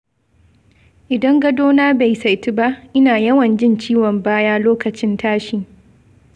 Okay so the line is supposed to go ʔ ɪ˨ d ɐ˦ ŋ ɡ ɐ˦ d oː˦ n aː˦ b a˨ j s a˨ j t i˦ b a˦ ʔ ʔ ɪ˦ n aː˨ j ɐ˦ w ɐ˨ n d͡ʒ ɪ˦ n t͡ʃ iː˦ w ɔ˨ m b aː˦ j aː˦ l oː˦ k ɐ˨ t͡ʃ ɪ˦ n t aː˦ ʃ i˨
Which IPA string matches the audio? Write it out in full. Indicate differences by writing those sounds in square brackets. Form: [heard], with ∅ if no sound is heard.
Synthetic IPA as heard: ʔ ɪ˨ d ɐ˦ ŋ ɡ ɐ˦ d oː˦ n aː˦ b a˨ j s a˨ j t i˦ b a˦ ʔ ʔ ɪ˦ n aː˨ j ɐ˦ w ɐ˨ n d͡ʒ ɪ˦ n t͡ʃ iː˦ w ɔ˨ m b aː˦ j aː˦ l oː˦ k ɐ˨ t͡ʃ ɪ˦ n t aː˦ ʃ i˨